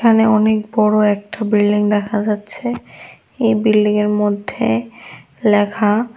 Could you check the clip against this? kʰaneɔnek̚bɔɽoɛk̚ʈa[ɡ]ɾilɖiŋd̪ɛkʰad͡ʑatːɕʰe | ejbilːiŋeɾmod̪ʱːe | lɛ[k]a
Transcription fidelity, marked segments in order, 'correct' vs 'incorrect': incorrect: b, incorrect: kʰ

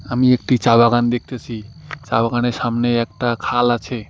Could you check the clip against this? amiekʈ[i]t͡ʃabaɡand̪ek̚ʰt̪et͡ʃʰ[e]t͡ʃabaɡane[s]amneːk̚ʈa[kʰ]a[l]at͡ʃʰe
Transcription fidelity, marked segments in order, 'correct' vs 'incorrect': correct, incorrect: i, correct, correct, correct

